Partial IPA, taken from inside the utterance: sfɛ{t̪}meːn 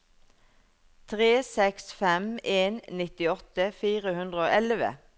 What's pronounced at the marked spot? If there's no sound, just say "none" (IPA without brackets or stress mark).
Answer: none